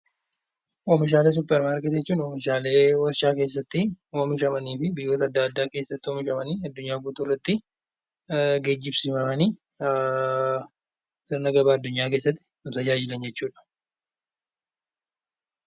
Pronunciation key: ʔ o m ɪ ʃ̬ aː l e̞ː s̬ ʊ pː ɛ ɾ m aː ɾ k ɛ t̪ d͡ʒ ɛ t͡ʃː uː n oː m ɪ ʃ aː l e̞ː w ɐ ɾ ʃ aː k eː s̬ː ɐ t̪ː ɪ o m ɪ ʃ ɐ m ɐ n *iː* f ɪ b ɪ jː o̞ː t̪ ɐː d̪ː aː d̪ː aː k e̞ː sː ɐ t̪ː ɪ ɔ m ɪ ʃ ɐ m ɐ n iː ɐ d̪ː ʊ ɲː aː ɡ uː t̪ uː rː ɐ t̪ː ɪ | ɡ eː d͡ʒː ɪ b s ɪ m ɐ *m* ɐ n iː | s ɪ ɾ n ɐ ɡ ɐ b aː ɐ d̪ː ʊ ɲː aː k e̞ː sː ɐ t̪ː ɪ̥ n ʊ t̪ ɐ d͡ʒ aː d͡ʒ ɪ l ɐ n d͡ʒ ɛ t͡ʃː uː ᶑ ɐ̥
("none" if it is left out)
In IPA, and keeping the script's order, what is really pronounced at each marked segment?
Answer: iː, m

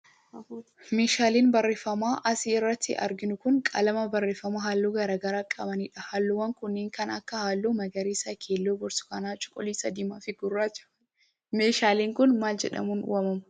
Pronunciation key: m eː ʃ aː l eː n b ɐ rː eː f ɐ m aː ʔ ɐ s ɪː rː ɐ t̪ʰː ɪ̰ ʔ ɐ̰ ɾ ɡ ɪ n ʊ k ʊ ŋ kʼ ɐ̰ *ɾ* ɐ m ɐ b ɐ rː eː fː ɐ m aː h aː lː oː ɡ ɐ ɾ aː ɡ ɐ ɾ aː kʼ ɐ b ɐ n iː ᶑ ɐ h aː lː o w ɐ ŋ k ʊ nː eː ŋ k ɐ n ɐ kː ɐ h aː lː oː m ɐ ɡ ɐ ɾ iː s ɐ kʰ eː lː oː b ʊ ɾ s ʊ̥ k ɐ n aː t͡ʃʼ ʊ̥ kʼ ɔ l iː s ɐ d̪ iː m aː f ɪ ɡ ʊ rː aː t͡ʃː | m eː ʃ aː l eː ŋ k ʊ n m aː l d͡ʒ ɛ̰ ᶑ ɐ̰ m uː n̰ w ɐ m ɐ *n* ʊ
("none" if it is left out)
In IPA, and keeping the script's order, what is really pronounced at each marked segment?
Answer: l, m

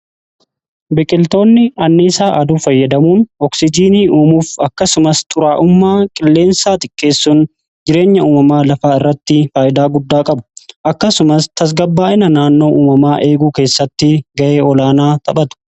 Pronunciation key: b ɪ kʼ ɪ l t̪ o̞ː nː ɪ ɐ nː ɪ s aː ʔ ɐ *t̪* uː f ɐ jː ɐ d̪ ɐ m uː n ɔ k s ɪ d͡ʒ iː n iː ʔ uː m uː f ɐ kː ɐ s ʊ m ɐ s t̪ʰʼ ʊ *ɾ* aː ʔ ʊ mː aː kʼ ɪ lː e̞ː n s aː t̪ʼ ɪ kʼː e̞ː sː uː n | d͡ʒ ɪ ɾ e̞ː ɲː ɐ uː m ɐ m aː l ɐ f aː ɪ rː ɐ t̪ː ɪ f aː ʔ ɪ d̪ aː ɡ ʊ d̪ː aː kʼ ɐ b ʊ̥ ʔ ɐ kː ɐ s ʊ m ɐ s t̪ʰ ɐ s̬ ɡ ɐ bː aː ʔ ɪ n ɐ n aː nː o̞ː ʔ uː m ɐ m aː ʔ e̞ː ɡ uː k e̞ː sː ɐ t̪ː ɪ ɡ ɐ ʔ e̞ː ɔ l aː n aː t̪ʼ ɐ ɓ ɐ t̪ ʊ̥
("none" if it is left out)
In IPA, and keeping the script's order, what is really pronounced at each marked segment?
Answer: d̪, ɾ

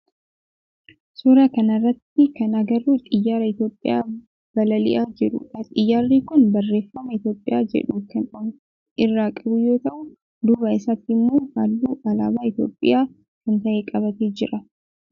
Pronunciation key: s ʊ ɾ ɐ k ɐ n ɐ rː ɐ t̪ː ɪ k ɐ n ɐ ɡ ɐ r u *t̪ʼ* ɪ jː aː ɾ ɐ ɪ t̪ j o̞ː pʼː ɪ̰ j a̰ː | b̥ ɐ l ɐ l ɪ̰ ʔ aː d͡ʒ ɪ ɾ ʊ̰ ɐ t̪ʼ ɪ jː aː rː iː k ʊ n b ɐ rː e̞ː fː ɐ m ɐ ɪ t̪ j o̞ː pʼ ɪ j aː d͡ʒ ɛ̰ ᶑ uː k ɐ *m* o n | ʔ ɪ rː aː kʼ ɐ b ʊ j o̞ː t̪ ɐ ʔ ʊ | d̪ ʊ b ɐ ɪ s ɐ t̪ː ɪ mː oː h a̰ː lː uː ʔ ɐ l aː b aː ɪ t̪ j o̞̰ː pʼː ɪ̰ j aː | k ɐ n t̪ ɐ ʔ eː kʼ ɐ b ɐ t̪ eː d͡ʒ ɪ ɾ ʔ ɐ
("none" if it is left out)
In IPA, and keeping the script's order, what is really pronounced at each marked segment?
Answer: t̪ʼ, n

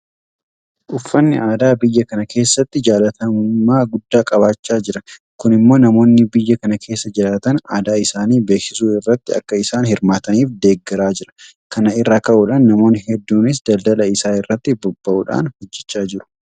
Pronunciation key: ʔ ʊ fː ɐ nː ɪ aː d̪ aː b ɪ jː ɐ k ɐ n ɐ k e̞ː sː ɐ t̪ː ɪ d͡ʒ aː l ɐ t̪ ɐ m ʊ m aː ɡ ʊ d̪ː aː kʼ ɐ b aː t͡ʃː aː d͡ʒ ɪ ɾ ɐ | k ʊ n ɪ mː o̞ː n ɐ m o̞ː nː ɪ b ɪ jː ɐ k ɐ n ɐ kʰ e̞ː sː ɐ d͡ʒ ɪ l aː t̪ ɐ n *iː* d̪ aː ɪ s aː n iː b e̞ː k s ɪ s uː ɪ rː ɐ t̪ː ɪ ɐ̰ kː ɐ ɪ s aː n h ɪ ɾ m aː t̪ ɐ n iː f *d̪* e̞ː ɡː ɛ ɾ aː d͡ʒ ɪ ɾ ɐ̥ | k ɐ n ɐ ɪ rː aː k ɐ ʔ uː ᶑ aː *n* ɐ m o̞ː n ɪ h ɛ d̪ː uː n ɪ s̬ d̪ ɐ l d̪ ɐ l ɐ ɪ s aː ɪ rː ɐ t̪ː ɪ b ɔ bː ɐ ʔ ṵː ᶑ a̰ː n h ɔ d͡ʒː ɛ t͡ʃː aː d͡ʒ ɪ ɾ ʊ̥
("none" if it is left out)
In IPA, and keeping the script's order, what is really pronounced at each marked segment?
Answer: aː, d̪, nː

